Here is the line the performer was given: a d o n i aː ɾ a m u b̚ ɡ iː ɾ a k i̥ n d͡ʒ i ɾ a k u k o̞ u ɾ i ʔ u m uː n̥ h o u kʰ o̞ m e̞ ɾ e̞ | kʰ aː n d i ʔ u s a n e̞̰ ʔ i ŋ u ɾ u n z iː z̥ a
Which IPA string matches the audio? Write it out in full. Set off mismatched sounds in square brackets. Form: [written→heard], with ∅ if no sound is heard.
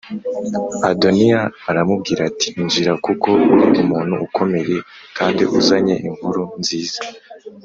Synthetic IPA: a d o n i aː ɾ a m u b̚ ɡ iː ɾ a [k→t] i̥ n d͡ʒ i ɾ a k u k o̞ u ɾ i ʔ u m uː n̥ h [o→u] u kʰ o̞ m e̞ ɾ e̞ | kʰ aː n d i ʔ u [s→z] a [n→ɲ] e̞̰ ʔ i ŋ u ɾ u n z iː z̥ a

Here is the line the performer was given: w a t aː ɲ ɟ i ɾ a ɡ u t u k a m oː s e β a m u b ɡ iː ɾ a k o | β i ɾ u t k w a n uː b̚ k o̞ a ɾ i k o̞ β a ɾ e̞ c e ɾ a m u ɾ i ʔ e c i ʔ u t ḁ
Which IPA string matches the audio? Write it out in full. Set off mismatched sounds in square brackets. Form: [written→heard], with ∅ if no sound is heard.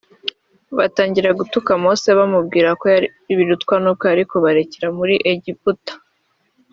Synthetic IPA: [w→β] a t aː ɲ ɟ i ɾ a ɡ u t u k a m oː s e β a m u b ɡ iː ɾ a k o | β i ɾ u t k w a n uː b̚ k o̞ a ɾ i k o̞ β a ɾ e̞ c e ɾ a m u ɾ i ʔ e [c→ɟ] i [ʔ→p] u t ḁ

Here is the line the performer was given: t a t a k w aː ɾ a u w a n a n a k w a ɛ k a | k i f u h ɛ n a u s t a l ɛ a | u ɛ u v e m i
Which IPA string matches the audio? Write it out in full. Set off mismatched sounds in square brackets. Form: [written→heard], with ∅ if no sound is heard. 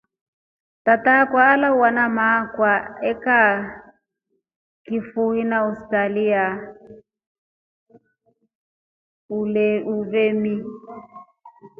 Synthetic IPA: t a t a k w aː [ɾ→l] a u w a n a [n→m] a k w a ɛ k a | k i f u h [ɛ→i] n a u s t a l [ɛ→i] a | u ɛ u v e m i

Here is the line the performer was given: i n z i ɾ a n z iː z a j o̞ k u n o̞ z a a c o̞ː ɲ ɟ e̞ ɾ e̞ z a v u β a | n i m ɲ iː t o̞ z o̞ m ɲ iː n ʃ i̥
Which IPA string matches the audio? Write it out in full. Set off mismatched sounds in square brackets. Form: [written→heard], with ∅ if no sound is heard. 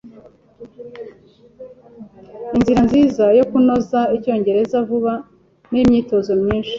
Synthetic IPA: i n z i ɾ a n z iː z a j o̞ k u n o̞ z a [a→i] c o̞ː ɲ ɟ e̞ ɾ e̞ z a v u β a | n i m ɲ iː t o̞ z o̞ m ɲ iː n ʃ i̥

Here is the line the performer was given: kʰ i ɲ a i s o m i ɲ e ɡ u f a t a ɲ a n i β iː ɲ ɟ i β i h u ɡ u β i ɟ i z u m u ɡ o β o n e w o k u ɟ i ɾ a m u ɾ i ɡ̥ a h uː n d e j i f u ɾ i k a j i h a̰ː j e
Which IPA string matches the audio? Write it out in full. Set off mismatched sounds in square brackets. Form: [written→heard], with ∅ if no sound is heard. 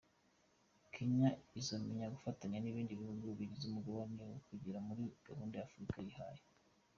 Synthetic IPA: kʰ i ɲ a i [s→z] o m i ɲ [e→a] ɡ u f a t a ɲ a n i β iː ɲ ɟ i β i h u ɡ u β i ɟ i z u m u ɡ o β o n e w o k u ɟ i ɾ a m u ɾ i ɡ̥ a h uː n d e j [i→a] f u ɾ i k a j i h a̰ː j e

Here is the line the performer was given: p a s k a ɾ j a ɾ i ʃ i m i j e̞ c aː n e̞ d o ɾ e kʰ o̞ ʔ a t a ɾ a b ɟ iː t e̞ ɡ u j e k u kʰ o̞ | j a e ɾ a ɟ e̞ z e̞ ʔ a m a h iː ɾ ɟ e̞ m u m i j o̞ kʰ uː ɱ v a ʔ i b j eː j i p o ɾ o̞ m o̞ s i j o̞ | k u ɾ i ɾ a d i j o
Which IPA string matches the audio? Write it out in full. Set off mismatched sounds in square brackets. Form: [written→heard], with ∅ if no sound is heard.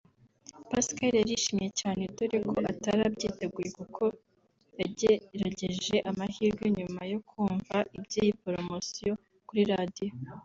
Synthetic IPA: p a s k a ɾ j a ɾ i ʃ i m i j e̞ c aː n e̞ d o ɾ e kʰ o̞ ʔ a t a ɾ a b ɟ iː t e̞ ɡ u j e k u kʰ o̞ | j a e ɾ a ɟ e̞ [z→ʒ] e̞ ʔ a m a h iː ɾ [ɟ→ɡ] e̞ [m→ɲ] u m [i→a] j o̞ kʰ uː ɱ v a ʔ i b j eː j i p o ɾ o̞ m o̞ s i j o̞ | k u ɾ i ɾ a d i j o

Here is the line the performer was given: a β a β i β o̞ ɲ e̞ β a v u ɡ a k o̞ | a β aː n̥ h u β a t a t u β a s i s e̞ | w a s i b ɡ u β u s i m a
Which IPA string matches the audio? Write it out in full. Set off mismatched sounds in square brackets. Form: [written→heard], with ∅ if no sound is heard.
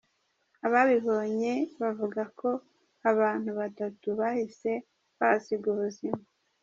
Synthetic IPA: a β a β i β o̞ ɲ e̞ β a v u ɡ a k o̞ | a β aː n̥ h u β a t a t u β a [s→h] i s e̞ | [w→β] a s i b ɡ u β u [s→z] i m a

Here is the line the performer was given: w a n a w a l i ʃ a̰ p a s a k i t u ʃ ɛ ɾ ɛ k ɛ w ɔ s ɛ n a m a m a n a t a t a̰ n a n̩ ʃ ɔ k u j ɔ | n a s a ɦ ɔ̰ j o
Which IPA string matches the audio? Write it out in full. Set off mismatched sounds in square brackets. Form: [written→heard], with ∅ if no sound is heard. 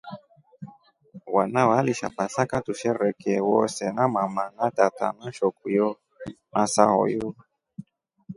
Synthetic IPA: w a n a w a l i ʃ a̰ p a s a k [i→a] t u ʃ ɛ ɾ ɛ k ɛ w ɔ s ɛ n a m a m a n a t a t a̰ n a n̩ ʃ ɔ k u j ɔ | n a s a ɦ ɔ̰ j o

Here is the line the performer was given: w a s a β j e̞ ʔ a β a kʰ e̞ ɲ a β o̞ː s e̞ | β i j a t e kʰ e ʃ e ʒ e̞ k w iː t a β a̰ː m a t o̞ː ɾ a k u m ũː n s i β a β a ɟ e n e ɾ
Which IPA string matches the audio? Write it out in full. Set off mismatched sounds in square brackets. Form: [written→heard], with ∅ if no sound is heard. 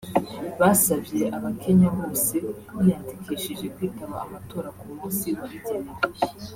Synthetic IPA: [w→β] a s a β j e̞ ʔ a β a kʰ e̞ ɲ a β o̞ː s e̞ | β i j a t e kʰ e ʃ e ʒ e̞ k w iː t a β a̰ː m a t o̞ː ɾ a k u m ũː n s i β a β [a→i] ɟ e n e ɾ

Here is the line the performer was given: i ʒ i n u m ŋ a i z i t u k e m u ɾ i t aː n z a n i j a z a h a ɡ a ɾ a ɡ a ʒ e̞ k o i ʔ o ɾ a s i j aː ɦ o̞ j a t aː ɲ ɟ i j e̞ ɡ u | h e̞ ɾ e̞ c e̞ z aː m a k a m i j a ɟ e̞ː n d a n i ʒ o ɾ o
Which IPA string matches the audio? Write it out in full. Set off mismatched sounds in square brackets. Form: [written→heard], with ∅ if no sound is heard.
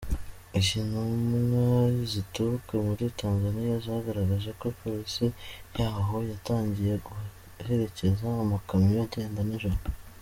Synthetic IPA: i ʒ i n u m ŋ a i z i t u k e m u ɾ i t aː n z a n i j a z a h a ɡ a ɾ a ɡ a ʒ e̞ k o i [ʔ→p] o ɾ [a→i] s i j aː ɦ o̞ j a t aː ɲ ɟ i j e̞ ɡ u | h e̞ ɾ e̞ c e̞ z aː m a k a m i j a ɟ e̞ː n d a n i ʒ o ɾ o

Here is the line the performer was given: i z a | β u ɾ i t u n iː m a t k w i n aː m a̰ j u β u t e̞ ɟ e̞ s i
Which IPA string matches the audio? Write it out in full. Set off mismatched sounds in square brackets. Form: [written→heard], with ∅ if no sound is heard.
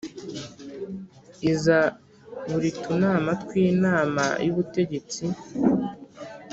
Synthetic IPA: i z a | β u ɾ i t u n [iː→aː] m a t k w [i→iː] n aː m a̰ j u β u t e̞ ɟ e̞ [s→t͡s] i

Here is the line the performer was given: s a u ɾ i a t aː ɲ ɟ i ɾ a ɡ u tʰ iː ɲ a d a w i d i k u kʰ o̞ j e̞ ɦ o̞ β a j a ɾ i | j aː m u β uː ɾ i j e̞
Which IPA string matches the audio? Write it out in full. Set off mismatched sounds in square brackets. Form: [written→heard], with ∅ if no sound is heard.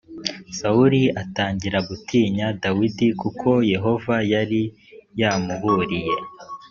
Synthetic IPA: s a u ɾ i a t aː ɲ ɟ i ɾ a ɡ u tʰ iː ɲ a d a w i d i k u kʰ o̞ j e̞ ɦ o̞ [β→v] a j a ɾ i | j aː m u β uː ɾ i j e̞

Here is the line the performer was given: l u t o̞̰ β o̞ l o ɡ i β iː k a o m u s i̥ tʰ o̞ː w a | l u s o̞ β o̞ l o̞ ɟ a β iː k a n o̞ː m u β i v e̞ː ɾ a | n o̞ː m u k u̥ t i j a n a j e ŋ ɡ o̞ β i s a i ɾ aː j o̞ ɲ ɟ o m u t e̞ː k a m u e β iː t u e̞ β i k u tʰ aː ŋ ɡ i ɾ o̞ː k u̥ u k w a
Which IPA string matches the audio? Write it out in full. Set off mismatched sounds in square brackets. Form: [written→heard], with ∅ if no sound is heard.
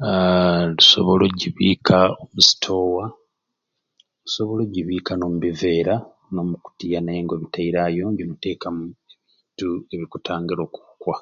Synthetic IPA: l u [t→s] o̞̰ β o̞ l o [ɡ→ɟ] i β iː k a o m u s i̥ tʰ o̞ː w a | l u s o̞ β o̞ l o̞ ɟ [a→i] β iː k a n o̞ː m u β i v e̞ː ɾ a | n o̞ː m u k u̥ t i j a n a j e ŋ ɡ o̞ β i [s→t] a i ɾ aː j o̞ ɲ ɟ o m u t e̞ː k a m u e β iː t u e̞ β i k u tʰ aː ŋ ɡ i ɾ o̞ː k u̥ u k w a

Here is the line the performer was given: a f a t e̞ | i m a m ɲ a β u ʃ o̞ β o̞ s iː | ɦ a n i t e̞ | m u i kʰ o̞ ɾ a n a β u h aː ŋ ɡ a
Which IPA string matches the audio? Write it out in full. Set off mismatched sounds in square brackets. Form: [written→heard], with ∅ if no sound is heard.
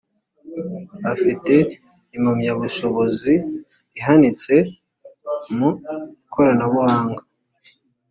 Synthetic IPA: a f [a→i] t e̞ | i m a m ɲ a β u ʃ o̞ β o̞ [s→z] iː | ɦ a n i [t→t͡s] e̞ | m u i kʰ o̞ ɾ a n a β u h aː ŋ ɡ a

